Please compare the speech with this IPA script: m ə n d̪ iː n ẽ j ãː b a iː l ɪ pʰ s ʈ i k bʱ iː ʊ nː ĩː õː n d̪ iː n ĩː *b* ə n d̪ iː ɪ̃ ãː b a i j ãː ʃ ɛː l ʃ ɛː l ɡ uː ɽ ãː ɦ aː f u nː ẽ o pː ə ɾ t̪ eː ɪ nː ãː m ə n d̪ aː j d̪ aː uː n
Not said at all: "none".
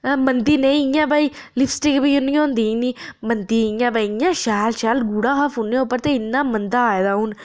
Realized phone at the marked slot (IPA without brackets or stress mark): m